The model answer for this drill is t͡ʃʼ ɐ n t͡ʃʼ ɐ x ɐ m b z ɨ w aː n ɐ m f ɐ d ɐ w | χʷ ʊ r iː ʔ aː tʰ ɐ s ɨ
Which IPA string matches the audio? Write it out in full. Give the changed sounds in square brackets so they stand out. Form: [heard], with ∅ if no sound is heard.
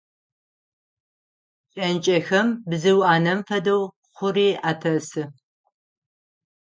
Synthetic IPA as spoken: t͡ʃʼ ɐ n t͡ʃʼ ɐ x ɐ m b z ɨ w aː n ɐ m f ɐ d ɐ w | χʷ ʊ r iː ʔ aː tʰ ɐ s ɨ